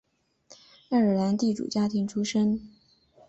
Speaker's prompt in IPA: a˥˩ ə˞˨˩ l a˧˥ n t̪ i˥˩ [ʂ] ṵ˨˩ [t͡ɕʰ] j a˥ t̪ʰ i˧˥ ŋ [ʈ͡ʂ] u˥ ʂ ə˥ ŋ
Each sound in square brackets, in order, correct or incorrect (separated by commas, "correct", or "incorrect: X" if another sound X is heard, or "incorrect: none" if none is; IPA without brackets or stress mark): incorrect: ʈ͡ʂ, incorrect: t͡ɕ, incorrect: ʈ͡ʂʰ